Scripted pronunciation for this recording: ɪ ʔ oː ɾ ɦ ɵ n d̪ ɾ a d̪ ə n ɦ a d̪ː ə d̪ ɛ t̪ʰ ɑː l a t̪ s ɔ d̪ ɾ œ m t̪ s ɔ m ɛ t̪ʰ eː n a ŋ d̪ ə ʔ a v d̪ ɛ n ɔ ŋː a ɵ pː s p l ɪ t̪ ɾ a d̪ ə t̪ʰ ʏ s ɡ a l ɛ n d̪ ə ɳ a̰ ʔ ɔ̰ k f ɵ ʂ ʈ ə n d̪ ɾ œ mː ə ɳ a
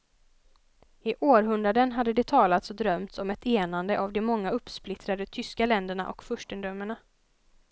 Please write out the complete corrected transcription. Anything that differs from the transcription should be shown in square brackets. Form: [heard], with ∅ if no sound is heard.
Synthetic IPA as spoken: ɪ ʔ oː ɾ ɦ ɵ n d̪ ɾ a d̪ ə n ɦ a d̪ː ə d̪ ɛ t̪ʰ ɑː l a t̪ s ɔ d̪ ɾ œ m t̪ s ɔ m ɛ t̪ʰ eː n a [n] d̪ ə ʔ a v d̪ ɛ [m] ɔ ŋː a ɵ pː s p l ɪ t̪ ɾ a d̪ ə t̪ʰ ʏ s [k] a l ɛ n d̪ ə ɳ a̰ ʔ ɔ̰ k f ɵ ʂ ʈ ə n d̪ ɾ œ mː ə ɳ a